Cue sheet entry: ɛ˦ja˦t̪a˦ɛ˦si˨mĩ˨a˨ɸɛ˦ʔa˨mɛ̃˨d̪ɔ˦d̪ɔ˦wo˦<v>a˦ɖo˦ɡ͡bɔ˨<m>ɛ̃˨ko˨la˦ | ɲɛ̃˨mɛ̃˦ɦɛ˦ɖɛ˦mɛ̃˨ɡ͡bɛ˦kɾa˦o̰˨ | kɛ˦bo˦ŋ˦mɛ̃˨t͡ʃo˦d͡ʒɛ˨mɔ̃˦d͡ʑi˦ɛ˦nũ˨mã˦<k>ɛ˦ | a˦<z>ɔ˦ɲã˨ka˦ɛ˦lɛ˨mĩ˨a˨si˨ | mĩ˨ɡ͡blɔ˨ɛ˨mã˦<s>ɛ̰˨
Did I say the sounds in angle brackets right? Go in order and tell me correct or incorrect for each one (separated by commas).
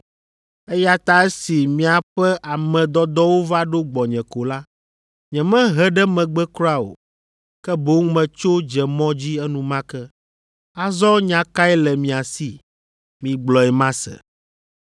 correct, incorrect, correct, correct, correct